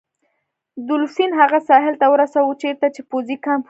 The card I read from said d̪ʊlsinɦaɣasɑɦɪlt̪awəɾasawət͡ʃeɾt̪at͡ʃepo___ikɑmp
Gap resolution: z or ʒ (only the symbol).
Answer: z